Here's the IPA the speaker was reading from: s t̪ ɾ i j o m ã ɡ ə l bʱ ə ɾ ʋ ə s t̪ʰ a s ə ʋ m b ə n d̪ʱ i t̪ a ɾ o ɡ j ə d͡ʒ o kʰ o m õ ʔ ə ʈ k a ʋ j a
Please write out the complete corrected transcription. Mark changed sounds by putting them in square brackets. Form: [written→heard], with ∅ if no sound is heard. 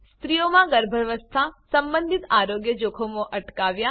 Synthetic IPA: s t̪ ɾ i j o m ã ɡ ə [l→ɾ] bʱ ə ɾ ʋ ə s t̪ʰ a s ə [ʋ→∅] m b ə n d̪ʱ i t̪ a ɾ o ɡ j ə d͡ʒ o kʰ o m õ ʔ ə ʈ k a ʋ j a